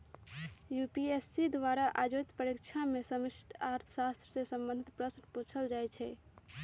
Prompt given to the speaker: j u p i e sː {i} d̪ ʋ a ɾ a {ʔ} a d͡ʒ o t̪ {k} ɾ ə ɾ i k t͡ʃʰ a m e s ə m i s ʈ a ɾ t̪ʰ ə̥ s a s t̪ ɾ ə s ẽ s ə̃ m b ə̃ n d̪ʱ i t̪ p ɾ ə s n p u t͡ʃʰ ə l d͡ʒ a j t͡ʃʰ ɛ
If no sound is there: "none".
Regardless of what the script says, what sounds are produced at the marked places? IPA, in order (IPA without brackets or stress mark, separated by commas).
i, ʔ, p